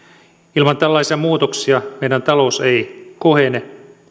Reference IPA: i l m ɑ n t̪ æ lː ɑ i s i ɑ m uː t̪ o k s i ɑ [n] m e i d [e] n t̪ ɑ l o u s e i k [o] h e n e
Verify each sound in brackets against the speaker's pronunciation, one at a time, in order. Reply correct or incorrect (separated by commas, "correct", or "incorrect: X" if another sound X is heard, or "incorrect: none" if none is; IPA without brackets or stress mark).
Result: incorrect: none, incorrect: æ, correct